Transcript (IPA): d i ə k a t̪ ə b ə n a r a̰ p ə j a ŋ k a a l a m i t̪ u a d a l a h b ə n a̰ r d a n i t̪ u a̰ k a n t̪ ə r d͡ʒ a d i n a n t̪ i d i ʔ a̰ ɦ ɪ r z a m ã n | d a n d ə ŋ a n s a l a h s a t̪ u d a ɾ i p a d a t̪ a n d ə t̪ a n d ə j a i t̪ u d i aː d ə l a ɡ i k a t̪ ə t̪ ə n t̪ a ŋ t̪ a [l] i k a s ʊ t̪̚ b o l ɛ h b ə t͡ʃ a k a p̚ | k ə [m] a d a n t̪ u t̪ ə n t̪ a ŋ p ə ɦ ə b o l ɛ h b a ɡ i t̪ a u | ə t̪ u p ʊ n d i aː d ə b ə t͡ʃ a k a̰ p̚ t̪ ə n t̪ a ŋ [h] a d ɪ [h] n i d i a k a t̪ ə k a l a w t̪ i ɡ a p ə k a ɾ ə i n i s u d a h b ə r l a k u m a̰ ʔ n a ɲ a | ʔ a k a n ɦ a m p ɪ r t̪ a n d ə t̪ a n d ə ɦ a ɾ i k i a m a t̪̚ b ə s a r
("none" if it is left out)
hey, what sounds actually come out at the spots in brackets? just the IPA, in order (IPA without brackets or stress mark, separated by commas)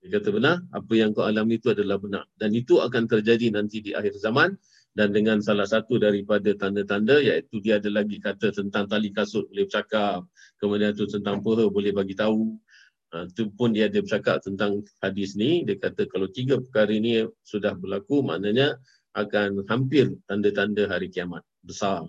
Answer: l, m, h, s